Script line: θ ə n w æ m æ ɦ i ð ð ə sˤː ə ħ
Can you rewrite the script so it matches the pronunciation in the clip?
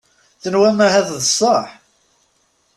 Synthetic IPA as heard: θ ə n w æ m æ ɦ æ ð ð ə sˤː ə ħ